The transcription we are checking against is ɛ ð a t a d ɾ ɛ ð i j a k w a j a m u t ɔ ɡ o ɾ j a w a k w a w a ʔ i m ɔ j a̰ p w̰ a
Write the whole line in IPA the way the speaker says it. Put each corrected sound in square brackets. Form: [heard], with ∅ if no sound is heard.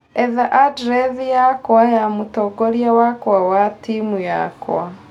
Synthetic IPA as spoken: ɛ ð a [ʔ] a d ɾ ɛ ð i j a k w a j a m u t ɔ ɡ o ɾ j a w a k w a w a [t] i m [u] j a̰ [k] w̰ a